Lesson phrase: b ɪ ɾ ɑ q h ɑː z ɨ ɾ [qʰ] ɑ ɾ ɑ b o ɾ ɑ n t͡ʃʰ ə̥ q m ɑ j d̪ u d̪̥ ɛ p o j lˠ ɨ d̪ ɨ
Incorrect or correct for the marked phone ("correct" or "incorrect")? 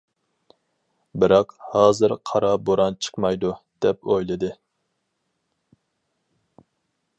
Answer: correct